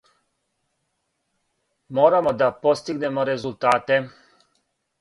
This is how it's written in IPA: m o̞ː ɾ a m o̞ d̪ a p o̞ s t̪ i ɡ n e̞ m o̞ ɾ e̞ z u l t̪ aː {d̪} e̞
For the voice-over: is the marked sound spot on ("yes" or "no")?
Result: no